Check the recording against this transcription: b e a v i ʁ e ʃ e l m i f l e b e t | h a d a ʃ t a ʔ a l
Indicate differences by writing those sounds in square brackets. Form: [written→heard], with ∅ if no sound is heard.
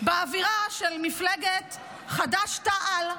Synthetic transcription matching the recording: b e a v i ʁ [e→a] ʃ e l m i f l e [b→ɡ] e t | [h→χ] a d a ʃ t a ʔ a l